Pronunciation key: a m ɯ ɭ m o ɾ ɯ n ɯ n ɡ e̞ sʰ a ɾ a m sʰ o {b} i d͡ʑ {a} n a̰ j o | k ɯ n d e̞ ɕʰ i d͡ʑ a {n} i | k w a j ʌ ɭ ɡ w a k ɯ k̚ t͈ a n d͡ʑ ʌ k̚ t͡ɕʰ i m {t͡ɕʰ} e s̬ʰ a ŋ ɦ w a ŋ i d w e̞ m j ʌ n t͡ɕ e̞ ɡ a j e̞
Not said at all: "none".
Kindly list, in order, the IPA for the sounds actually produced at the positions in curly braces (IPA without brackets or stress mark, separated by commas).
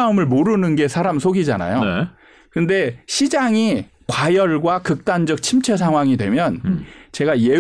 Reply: ɡ, a, ŋ, t͡ɕʰ